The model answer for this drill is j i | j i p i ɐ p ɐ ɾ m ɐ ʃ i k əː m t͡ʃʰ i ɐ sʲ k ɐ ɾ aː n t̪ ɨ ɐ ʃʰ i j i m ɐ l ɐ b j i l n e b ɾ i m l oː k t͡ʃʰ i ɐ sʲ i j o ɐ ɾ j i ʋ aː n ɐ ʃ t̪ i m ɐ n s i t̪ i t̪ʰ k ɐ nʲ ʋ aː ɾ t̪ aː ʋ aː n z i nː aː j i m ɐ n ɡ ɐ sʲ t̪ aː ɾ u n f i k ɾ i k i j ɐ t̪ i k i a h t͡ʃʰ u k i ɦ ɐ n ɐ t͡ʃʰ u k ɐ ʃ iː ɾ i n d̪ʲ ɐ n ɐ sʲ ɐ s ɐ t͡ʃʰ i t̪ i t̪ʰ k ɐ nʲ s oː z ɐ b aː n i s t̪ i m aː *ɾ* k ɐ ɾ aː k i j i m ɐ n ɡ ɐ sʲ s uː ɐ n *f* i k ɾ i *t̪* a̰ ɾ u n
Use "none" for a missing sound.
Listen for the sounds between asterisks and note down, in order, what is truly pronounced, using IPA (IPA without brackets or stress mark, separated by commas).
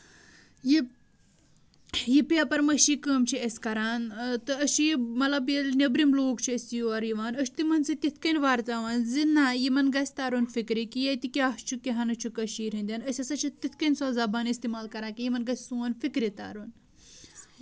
l, f, t̪